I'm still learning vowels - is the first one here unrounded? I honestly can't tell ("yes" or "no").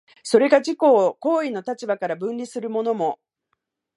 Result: no